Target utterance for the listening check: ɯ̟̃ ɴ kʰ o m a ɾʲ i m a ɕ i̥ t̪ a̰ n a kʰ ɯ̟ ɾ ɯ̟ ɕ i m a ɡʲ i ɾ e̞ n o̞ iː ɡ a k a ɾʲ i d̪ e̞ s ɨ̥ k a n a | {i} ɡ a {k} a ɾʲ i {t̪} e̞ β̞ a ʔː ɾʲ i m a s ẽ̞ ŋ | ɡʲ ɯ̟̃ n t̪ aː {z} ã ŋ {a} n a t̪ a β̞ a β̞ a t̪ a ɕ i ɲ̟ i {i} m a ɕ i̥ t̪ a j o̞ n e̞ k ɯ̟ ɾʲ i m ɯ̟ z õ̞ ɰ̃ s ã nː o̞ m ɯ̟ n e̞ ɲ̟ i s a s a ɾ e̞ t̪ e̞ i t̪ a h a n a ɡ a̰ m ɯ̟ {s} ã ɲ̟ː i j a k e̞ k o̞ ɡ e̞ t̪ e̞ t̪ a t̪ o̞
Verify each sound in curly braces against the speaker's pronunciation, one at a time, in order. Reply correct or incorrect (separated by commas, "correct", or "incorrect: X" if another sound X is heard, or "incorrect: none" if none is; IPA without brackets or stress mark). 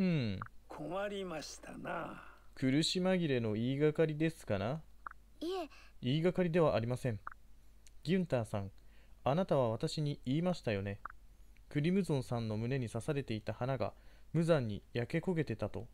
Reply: incorrect: iː, correct, incorrect: d̪, incorrect: s, correct, incorrect: iː, incorrect: z